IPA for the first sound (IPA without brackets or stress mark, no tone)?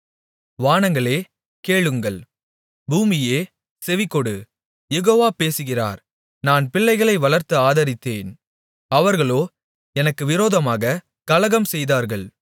ʋ